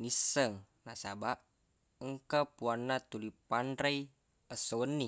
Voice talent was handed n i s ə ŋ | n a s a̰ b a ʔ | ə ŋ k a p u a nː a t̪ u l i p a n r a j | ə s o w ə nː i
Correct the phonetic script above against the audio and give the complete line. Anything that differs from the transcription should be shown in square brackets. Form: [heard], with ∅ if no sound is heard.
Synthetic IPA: n i s ə ŋ | n a s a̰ b a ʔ | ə ŋ k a p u a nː a t̪ u l i p a n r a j | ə s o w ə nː i